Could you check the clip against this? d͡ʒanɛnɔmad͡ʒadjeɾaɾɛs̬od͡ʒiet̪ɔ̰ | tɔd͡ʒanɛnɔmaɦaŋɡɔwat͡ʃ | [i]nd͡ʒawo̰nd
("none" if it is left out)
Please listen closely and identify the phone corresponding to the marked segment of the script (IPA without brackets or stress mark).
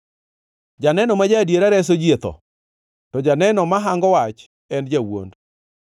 ɛ